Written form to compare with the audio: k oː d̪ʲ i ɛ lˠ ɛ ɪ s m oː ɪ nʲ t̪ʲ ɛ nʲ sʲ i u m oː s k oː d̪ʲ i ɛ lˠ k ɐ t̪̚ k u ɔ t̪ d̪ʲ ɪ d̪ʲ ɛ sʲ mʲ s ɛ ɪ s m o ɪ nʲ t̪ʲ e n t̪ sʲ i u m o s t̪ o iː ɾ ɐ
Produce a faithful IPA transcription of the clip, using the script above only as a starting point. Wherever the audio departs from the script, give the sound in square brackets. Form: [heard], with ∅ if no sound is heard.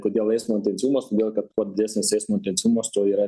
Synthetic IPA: k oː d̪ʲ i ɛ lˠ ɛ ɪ s m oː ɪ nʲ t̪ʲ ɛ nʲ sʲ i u m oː s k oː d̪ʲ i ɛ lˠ k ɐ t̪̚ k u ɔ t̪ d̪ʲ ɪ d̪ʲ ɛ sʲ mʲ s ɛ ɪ s m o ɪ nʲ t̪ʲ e n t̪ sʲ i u m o s t̪ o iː ɾ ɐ